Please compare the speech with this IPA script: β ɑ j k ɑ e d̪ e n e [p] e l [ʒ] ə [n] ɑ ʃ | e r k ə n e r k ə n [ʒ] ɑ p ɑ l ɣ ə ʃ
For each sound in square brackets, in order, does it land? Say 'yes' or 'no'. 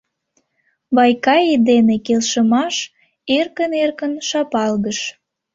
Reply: no, no, no, no

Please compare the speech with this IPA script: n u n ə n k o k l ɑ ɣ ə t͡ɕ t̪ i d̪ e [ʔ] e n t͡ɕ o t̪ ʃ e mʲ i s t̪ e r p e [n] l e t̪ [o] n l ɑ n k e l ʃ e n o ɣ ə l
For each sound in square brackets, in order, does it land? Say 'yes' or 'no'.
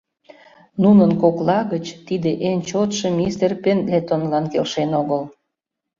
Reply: yes, yes, yes

